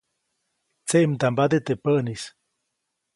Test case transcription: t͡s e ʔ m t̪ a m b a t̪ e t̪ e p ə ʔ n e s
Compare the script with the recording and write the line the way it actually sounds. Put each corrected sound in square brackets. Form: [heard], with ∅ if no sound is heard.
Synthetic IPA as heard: t͡s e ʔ m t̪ a m b a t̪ e t̪ e p ə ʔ n [i] s